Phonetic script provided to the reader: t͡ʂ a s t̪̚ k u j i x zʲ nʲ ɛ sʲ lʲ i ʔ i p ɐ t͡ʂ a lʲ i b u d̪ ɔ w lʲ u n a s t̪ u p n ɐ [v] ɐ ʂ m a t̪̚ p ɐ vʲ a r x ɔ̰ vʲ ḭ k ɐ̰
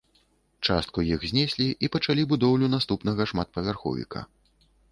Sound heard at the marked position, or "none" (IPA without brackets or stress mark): ɣ